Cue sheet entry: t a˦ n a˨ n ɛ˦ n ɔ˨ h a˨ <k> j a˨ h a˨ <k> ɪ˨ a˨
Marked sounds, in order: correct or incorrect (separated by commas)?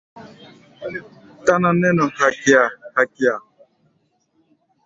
correct, correct